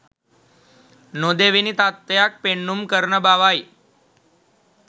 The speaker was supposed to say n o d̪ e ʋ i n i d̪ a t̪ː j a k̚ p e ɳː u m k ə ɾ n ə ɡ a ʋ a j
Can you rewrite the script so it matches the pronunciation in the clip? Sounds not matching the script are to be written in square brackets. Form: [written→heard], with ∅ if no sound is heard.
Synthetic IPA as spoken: n o d̪ e ʋ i n i [d̪→t̪] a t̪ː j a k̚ p e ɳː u m k ə ɾ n ə [ɡ→b] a ʋ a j